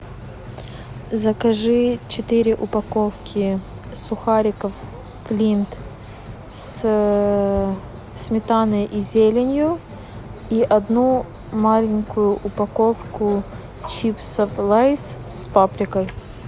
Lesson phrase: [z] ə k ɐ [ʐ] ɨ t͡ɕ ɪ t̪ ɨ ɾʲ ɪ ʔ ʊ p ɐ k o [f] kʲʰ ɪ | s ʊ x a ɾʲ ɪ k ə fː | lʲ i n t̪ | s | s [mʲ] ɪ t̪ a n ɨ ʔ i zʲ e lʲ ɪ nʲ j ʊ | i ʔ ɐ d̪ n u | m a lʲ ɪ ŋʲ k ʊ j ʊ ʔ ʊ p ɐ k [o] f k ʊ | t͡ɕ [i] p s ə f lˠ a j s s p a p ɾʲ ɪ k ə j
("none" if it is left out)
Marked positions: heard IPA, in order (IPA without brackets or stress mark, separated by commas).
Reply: z, ʐ, f, mʲ, o, i